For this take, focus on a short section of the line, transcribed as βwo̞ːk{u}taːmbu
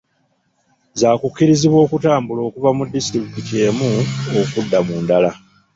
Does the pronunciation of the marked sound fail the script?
no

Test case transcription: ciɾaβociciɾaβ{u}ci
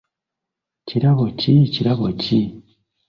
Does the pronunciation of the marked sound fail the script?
yes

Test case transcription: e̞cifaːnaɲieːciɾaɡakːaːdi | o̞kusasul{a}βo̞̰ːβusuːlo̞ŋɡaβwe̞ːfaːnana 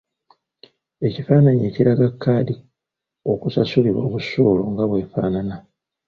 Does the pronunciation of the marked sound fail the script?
yes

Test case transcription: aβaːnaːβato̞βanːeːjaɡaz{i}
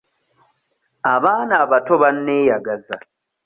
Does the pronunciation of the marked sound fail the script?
yes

